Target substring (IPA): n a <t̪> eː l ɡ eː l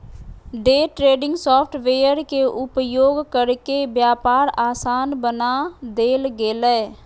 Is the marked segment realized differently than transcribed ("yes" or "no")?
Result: yes